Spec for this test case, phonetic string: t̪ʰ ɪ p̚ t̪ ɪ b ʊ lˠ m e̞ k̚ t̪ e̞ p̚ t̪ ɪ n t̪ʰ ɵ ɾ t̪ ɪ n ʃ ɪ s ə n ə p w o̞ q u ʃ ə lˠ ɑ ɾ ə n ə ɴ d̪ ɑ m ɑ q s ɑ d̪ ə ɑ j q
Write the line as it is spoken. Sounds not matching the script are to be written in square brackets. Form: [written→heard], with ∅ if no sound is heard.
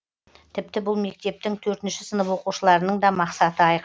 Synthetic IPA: t̪ʰ ɪ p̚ t̪ ɪ b ʊ lˠ m e̞ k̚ t̪ e̞ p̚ t̪ ɪ [n→ŋ] t̪ʰ ɵ ɾ t̪ ɪ n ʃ ɪ s ə n ə p w o̞ q u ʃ ə lˠ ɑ ɾ ə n ə ɴ d̪ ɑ m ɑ q s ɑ [d̪→t̪] ə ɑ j q